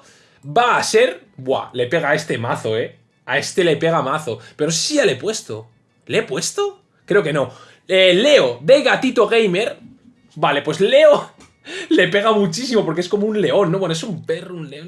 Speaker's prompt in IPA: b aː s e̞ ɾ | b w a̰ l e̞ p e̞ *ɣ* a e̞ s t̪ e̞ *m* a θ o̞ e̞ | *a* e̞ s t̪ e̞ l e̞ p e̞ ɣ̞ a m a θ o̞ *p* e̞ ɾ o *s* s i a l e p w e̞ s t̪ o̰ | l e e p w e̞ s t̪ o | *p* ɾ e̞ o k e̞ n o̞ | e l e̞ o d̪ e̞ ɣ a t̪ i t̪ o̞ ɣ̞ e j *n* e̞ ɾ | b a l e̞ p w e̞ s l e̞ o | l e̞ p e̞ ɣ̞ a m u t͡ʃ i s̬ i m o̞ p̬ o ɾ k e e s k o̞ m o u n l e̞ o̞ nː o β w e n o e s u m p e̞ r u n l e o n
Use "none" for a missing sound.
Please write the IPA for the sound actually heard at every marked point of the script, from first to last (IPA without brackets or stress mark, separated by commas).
ɣ, m, a, p, s, k, m